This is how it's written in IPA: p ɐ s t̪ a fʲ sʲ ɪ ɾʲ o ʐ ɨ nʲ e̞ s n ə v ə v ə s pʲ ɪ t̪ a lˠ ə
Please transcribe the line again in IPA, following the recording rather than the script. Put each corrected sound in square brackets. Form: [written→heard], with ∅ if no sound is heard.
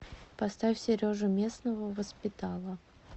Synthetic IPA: p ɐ s t̪ a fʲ sʲ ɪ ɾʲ o ʐ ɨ [nʲ→mʲ] e̞ s n ə v ə v ə s pʲ ɪ t̪ a lˠ ə

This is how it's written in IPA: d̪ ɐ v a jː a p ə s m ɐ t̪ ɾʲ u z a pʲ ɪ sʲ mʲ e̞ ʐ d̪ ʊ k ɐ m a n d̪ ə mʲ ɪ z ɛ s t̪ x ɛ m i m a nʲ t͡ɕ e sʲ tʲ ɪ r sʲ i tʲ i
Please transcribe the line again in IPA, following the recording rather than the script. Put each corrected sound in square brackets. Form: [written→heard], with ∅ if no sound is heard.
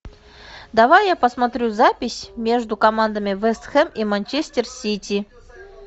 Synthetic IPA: d̪ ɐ v a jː a p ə s m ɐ t̪ ɾʲ u z a pʲ ɪ sʲ mʲ e̞ ʐ d̪ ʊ k ɐ m a n d̪ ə mʲ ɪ [z→v] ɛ s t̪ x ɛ m i m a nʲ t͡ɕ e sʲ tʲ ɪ r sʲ i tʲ i

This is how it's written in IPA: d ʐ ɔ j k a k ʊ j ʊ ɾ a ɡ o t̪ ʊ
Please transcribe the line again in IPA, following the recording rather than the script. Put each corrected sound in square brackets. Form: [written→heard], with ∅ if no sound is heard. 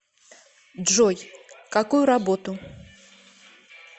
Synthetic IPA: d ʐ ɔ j k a k [ʊ→u] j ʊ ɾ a [ɡ→b] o t̪ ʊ

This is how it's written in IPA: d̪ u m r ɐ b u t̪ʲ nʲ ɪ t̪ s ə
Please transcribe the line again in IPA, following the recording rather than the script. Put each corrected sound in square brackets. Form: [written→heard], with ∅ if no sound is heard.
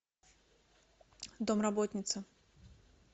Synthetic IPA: d̪ [u→o] m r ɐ b [u→o] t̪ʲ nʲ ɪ t̪ s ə

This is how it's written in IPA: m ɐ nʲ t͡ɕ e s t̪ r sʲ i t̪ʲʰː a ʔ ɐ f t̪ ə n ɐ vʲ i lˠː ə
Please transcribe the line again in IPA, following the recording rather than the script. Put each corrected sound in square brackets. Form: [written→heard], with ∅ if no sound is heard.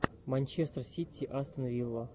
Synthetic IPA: m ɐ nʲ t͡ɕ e s t̪ r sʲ i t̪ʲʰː [a→i] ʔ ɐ [f→s] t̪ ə n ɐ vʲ i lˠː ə

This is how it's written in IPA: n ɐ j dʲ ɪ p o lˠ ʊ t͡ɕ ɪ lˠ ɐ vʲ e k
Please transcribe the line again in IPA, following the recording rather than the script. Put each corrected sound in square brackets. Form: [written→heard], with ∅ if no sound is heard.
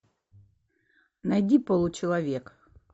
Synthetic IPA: n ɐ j dʲ [ɪ→i] p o lˠ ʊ t͡ɕ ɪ lˠ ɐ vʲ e k

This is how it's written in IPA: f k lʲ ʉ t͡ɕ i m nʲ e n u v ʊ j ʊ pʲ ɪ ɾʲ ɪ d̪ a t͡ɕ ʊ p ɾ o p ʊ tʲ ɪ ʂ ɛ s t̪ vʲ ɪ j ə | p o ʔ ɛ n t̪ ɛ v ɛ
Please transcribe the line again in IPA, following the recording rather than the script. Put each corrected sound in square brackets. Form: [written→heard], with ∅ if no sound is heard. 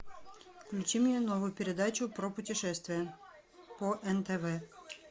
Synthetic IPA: f k lʲ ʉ t͡ɕ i m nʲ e n [u→o] v ʊ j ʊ pʲ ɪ ɾʲ ɪ d̪ a t͡ɕ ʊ p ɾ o p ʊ tʲ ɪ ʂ ɛ s t̪ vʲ ɪ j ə | p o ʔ ɛ n t̪ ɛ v ɛ

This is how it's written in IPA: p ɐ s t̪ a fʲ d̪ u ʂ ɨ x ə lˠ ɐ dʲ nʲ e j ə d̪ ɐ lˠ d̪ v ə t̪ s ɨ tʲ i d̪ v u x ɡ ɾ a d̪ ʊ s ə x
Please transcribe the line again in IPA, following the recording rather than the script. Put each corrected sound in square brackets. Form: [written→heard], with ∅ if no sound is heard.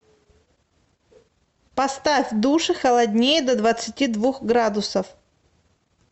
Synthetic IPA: p ɐ s t̪ a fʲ d̪ u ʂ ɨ x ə lˠ ɐ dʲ nʲ e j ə d̪ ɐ [lˠ→∅] d̪ v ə t̪ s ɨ tʲ i d̪ v u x ɡ ɾ a d̪ ʊ s ə [x→f]

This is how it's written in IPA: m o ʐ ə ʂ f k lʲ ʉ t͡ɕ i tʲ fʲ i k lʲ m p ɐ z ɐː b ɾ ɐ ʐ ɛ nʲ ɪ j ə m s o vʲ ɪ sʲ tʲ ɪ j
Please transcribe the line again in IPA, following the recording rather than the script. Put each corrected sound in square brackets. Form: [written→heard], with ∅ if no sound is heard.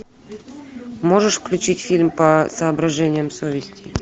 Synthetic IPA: m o ʐ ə ʂ f k lʲ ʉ t͡ɕ i tʲ fʲ i [k→∅] lʲ m p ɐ [z→s] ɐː b ɾ ɐ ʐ ɛ nʲ ɪ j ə m s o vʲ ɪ sʲ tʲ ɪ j

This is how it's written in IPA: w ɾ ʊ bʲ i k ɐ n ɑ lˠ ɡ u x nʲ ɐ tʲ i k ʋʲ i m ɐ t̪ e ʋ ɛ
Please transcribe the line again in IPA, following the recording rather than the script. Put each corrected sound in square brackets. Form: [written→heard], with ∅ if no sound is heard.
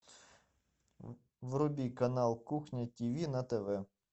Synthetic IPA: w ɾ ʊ bʲ i k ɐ n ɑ lˠ [ɡ→k] u x nʲ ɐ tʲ i [k→∅] ʋʲ i [m→n] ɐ t̪ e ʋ ɛ

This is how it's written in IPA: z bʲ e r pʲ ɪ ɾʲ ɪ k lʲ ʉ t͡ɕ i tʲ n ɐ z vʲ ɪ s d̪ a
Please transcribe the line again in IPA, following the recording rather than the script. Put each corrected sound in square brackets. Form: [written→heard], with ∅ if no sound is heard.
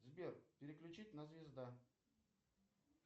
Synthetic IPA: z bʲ e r pʲ ɪ ɾʲ ɪ k lʲ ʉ t͡ɕ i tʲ n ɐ z vʲ ɪ [s→z] d̪ a

